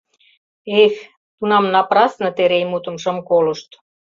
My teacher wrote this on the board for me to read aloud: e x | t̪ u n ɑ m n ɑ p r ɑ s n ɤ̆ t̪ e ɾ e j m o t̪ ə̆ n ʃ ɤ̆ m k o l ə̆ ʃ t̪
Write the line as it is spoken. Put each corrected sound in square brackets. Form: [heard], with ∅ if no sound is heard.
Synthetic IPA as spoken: e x | t̪ u n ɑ m n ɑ p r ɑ s n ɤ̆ t̪ e ɾ e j m [u] t̪ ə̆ [m] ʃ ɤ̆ m k o l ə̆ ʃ t̪